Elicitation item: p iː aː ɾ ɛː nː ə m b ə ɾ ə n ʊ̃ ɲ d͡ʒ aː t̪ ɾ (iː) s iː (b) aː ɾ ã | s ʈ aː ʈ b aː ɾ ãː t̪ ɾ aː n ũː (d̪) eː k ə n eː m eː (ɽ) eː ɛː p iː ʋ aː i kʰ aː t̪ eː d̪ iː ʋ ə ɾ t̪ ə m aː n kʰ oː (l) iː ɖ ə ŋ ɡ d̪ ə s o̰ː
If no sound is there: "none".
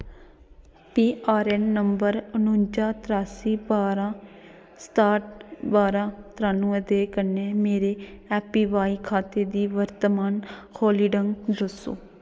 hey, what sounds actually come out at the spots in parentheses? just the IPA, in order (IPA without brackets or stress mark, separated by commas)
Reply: aː, b, d̪, ɾ, l